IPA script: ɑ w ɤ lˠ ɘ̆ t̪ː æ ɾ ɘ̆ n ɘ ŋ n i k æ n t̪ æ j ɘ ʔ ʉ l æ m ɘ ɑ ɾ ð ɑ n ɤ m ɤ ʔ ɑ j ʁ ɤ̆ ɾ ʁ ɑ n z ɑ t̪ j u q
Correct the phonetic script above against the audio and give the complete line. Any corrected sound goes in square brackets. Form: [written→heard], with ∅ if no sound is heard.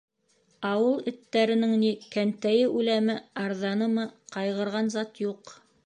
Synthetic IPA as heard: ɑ w ɤ lˠ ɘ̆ t̪ː æ ɾ ɘ̆ n ɘ ŋ n i k æ n t̪ æ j ɘ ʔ ʉ l æ m ɘ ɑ ɾ ð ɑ n ɤ m ɤ [ʔ→q] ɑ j ʁ ɤ̆ ɾ ʁ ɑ n z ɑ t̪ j u q